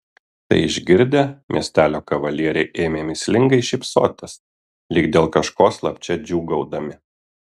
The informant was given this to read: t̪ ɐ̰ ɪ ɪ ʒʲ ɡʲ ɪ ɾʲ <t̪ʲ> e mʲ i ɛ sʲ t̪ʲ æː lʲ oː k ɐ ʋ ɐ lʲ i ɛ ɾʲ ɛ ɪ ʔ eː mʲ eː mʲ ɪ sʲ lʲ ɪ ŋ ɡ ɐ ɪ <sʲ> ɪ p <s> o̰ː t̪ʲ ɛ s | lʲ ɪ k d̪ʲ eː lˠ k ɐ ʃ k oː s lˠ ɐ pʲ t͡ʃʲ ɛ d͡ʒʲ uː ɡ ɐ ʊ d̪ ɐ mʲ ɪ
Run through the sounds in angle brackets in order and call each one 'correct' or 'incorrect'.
incorrect: d̪ʲ, incorrect: ʃʲ, correct

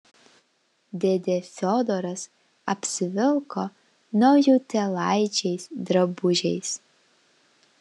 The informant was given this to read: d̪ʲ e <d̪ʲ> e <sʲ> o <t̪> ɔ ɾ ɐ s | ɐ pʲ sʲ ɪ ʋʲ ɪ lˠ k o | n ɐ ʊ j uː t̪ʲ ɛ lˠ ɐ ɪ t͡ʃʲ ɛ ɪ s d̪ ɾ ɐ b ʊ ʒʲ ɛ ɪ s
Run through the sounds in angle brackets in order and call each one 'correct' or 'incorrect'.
correct, incorrect: fʲ, incorrect: d̪

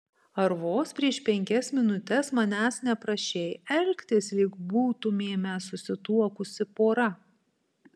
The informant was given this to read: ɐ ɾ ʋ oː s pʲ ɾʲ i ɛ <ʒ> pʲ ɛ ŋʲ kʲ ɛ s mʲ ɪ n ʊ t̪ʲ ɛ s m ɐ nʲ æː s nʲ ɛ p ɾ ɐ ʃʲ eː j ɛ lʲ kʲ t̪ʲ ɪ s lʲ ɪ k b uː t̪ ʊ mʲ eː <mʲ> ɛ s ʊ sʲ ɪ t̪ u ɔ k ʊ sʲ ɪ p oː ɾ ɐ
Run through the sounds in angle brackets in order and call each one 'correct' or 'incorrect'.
incorrect: ʃ, correct

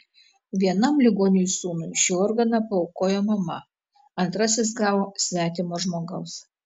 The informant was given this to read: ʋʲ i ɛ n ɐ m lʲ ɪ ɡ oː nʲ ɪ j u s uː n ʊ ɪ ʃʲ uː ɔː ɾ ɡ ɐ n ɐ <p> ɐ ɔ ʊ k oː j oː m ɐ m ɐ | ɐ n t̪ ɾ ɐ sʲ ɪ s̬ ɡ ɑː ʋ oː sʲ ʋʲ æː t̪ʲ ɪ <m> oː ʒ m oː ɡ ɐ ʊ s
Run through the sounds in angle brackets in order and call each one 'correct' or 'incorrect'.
correct, correct

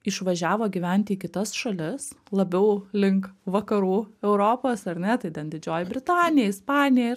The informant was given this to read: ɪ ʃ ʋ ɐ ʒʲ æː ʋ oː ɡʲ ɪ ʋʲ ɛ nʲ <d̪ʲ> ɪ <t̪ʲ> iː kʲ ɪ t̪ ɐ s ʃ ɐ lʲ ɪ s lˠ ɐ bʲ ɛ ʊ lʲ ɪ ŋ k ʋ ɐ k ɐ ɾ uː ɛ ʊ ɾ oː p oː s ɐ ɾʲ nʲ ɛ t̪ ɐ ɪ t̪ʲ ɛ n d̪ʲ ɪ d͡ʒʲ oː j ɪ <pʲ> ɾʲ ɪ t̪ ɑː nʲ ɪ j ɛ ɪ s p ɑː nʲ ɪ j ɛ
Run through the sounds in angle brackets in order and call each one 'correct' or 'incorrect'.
incorrect: t̪ʲ, incorrect: none, incorrect: bʲ

